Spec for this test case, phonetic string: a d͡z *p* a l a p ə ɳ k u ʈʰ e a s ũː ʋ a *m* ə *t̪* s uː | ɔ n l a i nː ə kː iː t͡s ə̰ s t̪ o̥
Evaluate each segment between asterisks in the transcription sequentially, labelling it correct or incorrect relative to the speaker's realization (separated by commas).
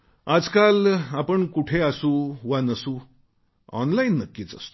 incorrect, incorrect, incorrect